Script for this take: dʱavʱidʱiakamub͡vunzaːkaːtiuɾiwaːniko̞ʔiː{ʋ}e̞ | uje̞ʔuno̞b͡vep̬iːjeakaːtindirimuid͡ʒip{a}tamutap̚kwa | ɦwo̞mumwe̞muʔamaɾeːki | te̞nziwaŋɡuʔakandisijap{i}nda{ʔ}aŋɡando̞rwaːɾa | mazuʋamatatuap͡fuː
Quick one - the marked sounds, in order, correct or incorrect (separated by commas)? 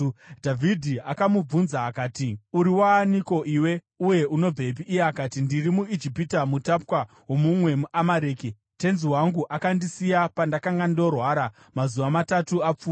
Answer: incorrect, incorrect, incorrect, incorrect